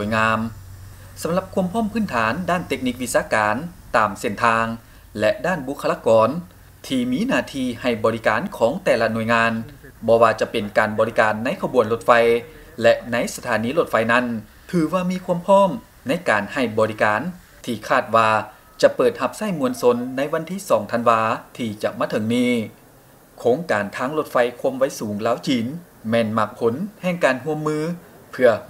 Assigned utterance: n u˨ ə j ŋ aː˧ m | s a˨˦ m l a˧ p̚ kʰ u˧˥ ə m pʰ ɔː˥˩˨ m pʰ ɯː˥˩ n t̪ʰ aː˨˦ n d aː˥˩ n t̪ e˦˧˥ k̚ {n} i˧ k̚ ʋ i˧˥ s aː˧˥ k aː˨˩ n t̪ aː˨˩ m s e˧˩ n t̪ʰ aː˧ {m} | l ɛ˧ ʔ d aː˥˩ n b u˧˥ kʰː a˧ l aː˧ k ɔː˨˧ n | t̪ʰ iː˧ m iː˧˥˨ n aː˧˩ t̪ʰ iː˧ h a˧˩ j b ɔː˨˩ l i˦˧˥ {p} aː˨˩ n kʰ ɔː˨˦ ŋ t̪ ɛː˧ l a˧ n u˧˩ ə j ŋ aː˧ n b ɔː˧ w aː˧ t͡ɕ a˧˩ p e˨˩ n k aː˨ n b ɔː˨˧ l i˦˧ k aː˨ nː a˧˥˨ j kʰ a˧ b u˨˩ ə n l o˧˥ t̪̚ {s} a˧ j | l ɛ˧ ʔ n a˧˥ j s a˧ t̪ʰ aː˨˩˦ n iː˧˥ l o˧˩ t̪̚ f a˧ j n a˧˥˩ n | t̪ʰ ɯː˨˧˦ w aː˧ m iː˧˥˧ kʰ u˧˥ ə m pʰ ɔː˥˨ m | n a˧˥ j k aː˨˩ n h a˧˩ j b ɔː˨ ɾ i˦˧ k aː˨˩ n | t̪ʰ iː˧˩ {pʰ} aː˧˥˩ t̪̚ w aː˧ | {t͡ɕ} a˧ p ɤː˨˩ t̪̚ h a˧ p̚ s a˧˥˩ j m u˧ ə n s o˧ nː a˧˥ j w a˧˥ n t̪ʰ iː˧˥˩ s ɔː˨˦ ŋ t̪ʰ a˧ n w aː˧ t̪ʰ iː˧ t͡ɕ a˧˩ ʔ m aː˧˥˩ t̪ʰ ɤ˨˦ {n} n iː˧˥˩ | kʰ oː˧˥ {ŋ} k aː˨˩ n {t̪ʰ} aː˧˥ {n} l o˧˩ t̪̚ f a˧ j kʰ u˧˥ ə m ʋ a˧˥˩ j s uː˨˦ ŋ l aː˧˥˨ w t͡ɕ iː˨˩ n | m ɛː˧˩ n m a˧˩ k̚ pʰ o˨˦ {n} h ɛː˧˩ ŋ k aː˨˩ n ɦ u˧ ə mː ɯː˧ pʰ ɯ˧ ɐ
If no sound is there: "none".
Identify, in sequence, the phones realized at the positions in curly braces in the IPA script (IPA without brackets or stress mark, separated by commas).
n, ŋ, k, f, kʰ, t͡ɕ, ŋ, ŋ, t̪ʰ, ŋ, n